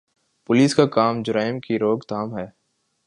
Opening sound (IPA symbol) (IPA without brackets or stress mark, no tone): p